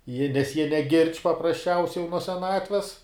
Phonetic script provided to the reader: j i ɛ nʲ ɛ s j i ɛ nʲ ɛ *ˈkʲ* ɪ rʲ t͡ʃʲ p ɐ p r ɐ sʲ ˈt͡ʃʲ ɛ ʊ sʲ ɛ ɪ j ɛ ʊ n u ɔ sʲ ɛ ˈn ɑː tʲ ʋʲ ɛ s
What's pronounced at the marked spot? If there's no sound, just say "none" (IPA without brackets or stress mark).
ɡʲ